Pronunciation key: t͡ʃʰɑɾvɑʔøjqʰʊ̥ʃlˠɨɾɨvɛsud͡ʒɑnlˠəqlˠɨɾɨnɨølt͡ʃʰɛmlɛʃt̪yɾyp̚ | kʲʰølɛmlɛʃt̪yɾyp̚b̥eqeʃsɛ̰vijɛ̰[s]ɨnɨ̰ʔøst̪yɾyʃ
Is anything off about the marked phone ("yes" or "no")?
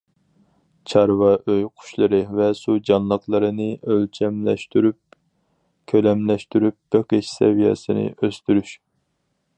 no